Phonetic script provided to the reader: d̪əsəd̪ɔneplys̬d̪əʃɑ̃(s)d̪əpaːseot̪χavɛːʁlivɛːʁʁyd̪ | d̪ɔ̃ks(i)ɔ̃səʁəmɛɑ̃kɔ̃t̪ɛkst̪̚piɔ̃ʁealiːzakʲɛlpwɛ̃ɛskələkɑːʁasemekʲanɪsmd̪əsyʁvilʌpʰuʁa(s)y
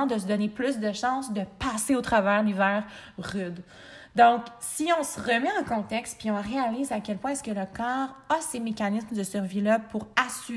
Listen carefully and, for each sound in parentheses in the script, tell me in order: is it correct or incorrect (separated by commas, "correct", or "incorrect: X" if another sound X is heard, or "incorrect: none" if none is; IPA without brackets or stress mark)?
correct, correct, correct